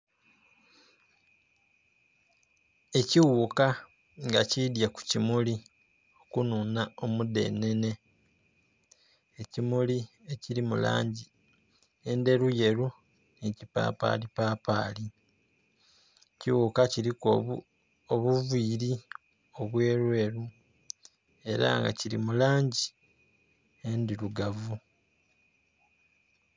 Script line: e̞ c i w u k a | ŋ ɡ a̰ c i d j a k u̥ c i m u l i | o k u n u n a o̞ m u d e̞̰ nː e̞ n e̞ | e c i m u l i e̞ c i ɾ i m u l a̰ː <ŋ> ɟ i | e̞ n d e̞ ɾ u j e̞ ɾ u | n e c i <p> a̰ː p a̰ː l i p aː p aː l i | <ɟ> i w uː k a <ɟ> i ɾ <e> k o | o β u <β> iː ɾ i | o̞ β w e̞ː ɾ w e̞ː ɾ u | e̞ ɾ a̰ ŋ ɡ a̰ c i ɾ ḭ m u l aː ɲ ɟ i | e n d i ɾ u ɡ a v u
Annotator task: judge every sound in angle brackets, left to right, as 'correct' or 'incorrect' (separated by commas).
incorrect, correct, incorrect, incorrect, incorrect, incorrect